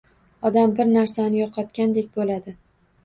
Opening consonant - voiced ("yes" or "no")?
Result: yes